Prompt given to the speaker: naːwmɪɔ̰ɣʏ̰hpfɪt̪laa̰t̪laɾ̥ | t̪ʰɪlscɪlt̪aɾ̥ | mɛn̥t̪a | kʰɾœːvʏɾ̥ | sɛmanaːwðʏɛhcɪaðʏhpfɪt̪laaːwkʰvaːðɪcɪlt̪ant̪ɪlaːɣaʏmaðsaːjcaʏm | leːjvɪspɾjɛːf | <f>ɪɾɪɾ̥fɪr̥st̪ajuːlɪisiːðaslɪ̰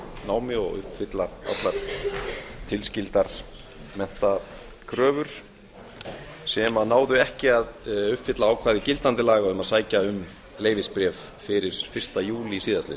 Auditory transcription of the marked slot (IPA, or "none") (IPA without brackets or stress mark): f